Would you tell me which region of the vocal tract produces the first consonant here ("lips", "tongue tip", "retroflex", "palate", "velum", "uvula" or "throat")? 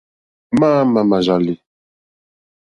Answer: lips